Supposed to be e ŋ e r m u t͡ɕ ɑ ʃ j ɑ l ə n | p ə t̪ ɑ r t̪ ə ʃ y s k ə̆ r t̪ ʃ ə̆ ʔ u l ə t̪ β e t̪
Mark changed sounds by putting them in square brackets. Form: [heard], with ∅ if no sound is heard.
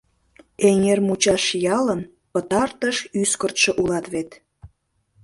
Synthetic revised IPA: e ŋ e r m u t͡ɕ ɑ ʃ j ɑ l ə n | p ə t̪ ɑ r t̪ ə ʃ y s k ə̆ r t̪ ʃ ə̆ ʔ u l [ɑ] t̪ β e t̪

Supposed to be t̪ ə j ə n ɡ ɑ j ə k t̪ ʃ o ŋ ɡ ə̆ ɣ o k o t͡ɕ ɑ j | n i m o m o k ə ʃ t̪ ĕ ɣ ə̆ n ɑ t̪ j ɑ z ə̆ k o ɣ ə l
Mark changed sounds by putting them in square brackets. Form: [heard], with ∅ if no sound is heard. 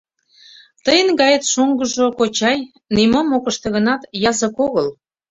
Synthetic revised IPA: t̪ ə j ə n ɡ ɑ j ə [∅] t̪ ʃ o ŋ ɡ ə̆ [ʒ] o k o t͡ɕ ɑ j | n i m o m o k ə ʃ t̪ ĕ ɣ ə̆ n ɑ t̪ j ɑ z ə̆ k o ɣ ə l

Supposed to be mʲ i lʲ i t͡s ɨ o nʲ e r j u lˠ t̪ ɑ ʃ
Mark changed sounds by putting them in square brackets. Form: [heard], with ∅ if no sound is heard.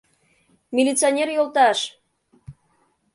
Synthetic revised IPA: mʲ i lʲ i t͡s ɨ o nʲ e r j [o] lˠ t̪ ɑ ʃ

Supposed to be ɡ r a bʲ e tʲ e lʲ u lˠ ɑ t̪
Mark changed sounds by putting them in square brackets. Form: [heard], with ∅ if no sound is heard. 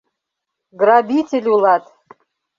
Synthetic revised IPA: ɡ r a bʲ [i] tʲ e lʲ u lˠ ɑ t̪

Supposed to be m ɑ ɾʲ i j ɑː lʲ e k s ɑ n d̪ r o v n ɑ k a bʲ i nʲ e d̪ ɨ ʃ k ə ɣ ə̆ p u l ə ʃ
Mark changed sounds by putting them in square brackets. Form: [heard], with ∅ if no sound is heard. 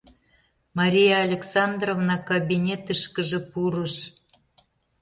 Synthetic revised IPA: m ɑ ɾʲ i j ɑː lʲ e k s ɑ n d̪ r o v n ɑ k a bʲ i nʲ e [t̪] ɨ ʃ k ə [ʒ] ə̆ p u [ɾ] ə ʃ

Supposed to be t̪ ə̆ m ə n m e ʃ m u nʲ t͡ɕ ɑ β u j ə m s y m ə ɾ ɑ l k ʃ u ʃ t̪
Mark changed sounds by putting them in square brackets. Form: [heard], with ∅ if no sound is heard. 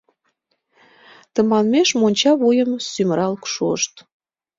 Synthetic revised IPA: t̪ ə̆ m [ɑ] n m e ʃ m [o] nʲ t͡ɕ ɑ β u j ə m s y m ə ɾ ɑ l k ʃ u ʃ t̪

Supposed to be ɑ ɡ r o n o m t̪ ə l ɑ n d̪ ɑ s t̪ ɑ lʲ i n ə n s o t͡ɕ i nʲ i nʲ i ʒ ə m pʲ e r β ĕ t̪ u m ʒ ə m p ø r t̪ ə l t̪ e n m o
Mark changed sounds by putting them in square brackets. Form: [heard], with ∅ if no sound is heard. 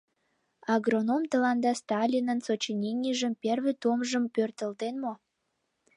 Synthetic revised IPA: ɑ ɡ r o n o m t̪ ə l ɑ n d̪ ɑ s t̪ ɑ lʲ i n ə n s o t͡ɕ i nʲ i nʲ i ʒ ə m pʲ e r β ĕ t̪ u m ʒ ə m p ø r t̪ ə l t̪ e n m o

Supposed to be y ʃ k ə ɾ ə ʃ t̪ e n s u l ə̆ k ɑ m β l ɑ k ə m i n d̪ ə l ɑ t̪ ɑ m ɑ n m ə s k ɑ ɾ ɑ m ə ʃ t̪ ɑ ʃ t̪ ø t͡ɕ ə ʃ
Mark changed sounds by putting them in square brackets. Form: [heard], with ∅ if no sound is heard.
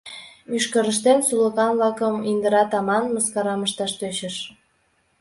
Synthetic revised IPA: y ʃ k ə ɾ ə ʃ t̪ e n s u l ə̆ k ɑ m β l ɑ k ə m i n d̪ ə [ɾ] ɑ t̪ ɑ m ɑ n m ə s k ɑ ɾ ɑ m ə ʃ t̪ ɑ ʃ t̪ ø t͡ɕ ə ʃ

